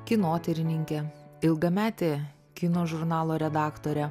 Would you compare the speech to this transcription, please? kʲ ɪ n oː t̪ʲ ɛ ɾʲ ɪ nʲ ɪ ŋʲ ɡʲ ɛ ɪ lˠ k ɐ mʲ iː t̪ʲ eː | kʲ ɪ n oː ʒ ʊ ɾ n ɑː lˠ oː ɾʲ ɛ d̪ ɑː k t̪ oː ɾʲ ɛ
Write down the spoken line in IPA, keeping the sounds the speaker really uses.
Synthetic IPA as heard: kʲ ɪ n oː t̪ʲ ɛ ɾʲ ɪ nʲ ɪ ŋʲ kʲ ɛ ɪ lˠ ɡ ɐ mʲ æː t̪ʲ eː | kʲ ɪ n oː ʒ ʊ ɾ n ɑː lˠ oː ɾʲ ɛ d̪ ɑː k t̪ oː ɾʲ ɛ